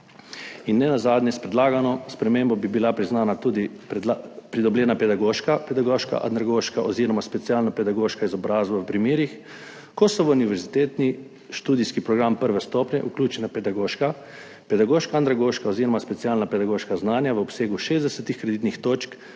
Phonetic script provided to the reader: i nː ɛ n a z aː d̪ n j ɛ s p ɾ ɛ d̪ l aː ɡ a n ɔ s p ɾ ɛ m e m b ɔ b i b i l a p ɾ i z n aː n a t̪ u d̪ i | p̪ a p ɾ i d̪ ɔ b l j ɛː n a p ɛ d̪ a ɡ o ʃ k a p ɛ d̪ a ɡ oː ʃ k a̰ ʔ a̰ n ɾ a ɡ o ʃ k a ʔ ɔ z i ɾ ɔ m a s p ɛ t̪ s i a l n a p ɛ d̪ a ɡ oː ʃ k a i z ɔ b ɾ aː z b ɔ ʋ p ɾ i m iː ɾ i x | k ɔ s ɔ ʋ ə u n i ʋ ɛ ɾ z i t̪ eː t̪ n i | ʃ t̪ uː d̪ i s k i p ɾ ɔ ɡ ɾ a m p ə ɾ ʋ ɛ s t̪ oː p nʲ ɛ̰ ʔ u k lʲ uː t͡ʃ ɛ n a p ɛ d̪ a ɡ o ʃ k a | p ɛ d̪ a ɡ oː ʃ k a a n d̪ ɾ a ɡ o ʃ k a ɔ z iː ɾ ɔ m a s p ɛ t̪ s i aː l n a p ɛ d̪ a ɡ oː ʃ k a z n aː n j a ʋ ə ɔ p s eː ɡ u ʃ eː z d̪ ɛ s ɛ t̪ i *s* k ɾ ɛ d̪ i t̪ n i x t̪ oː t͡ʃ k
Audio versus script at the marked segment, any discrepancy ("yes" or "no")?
yes